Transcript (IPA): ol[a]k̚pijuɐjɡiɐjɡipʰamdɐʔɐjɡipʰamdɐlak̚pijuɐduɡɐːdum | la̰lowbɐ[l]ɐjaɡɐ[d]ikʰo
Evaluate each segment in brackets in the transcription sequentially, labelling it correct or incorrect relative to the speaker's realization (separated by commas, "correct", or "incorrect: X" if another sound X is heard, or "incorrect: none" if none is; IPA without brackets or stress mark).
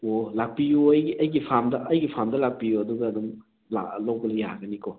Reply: correct, correct, incorrect: n